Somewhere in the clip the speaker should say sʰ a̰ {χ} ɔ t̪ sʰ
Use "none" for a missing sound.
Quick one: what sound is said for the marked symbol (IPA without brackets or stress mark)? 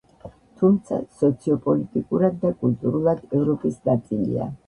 s